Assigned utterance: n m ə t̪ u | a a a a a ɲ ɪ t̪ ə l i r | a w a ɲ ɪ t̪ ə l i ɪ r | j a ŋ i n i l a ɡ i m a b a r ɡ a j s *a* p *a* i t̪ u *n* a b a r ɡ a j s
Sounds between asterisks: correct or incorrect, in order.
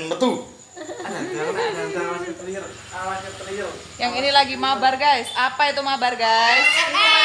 correct, correct, incorrect: m

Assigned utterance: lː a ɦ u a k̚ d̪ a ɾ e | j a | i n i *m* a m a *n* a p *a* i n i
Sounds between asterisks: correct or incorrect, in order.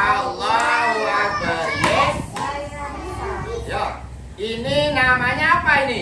incorrect: n, incorrect: ɲ, correct

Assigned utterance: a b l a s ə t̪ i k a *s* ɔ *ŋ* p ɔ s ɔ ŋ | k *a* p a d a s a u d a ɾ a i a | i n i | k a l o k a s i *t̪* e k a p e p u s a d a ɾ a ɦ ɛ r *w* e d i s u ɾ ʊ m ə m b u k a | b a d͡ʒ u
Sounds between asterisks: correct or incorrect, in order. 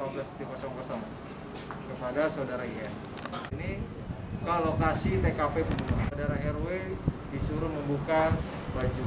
correct, correct, incorrect: ə, correct, correct

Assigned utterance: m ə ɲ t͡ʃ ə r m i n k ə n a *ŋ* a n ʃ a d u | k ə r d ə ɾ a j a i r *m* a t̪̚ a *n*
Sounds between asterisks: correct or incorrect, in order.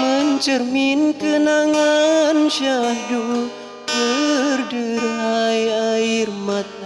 correct, correct, incorrect: none

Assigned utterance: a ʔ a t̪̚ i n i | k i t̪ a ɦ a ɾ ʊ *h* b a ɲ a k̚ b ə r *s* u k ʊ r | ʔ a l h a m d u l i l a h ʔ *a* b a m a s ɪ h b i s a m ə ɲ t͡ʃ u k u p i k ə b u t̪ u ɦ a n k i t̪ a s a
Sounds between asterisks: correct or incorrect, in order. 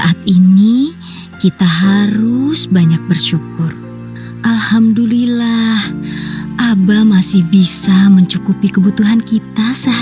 incorrect: s, incorrect: ʃ, correct

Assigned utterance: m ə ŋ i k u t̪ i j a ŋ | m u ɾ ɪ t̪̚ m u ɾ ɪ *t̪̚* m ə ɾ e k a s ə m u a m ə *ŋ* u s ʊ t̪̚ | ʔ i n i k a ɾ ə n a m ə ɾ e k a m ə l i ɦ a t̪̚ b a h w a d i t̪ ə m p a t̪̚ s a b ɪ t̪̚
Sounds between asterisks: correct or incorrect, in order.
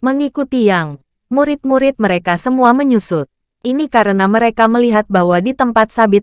correct, incorrect: ɲ

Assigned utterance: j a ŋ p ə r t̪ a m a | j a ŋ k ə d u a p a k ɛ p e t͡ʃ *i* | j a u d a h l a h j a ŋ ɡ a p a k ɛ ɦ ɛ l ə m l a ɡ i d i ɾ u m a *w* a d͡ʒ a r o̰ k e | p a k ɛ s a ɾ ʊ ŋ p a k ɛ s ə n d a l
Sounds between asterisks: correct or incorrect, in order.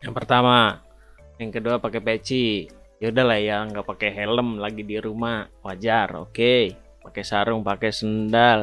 correct, correct

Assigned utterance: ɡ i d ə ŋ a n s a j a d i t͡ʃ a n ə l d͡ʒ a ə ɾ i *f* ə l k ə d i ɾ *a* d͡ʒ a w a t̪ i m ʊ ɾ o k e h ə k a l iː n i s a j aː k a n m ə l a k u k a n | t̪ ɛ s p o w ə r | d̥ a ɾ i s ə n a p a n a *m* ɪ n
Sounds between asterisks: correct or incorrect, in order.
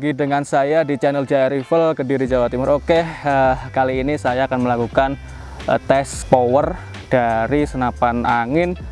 correct, incorrect: i, incorrect: ŋ

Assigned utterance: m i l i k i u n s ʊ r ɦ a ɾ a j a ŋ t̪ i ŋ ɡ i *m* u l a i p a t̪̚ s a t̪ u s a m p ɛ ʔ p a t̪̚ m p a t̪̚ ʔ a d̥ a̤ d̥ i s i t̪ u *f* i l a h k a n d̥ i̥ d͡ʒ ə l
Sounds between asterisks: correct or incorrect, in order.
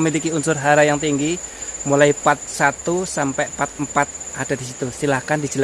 correct, incorrect: s

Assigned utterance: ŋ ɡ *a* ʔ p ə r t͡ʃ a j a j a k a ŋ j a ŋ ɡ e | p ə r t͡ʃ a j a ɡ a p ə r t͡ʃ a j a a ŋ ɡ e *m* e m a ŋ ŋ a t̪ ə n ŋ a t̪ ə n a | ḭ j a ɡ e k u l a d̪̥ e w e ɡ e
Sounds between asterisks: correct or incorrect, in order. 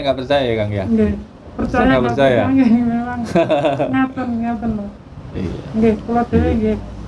correct, correct

